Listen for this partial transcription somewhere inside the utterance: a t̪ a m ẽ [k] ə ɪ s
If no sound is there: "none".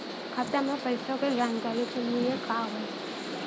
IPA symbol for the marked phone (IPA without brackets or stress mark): p